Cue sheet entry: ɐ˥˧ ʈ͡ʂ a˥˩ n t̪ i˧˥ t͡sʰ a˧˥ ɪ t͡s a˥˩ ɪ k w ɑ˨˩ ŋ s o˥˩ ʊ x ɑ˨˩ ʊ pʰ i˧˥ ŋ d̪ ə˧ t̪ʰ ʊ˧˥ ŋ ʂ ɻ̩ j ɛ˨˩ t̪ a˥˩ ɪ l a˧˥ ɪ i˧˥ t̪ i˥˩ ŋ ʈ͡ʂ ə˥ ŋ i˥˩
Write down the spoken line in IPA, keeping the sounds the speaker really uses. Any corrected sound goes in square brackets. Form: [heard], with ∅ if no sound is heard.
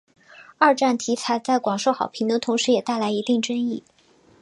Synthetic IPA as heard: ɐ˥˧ ʈ͡ʂ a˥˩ n [t̪ʰ] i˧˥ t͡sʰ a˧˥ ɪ t͡s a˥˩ ɪ k w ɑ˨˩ ŋ [ʂ] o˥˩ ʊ x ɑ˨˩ ʊ pʰ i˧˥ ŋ d̪ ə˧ t̪ʰ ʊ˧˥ ŋ ʂ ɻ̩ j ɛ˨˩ t̪ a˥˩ ɪ l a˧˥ ɪ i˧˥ t̪ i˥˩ ŋ ʈ͡ʂ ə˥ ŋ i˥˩